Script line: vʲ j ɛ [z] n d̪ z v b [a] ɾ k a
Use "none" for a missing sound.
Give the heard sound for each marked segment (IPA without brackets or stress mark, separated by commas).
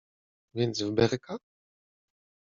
none, ɛ